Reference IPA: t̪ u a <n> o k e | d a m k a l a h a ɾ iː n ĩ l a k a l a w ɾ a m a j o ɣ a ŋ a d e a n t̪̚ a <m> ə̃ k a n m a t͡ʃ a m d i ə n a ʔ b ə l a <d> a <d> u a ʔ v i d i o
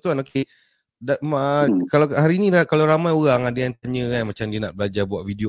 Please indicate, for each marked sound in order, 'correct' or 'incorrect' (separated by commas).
correct, incorrect, incorrect, incorrect